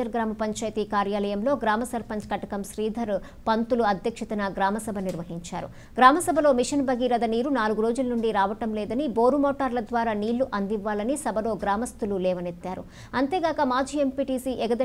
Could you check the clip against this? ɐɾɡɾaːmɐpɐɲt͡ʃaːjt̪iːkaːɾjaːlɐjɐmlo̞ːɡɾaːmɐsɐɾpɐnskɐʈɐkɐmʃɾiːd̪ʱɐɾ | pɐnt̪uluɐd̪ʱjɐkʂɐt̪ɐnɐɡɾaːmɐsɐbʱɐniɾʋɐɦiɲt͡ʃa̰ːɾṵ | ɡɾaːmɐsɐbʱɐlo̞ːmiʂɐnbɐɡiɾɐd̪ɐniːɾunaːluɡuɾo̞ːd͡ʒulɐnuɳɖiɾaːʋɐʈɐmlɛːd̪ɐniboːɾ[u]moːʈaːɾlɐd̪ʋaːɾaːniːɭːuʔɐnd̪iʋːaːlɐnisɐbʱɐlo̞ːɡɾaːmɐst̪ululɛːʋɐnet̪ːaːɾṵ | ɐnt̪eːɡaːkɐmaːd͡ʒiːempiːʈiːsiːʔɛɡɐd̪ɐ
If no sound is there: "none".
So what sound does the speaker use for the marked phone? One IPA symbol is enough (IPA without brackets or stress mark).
u